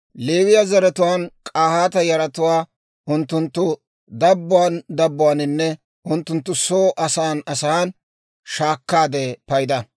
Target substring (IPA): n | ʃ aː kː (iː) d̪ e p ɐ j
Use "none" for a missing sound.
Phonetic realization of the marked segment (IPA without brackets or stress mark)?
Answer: aː